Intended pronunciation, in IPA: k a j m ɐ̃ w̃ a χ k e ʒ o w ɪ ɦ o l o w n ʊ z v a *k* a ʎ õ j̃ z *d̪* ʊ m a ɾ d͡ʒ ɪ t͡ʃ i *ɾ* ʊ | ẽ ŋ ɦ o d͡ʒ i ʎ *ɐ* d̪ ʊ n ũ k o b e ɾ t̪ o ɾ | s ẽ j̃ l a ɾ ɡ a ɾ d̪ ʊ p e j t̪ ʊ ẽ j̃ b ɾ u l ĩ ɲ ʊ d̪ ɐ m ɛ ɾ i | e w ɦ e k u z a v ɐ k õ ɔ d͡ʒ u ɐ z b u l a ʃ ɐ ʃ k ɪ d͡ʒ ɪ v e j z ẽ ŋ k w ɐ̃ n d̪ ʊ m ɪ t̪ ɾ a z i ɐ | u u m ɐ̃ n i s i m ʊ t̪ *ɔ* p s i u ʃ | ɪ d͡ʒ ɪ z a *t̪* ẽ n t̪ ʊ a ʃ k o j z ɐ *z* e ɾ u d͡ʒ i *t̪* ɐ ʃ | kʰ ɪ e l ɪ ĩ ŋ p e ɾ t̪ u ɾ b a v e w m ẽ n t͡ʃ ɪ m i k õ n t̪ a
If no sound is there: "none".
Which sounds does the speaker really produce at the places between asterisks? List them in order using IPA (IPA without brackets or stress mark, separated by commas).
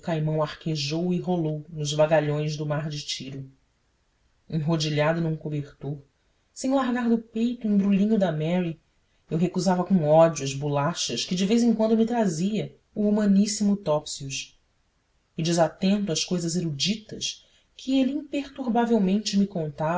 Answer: ɡ, d̪, ɾ, a, ɔ, t̪, z, t̪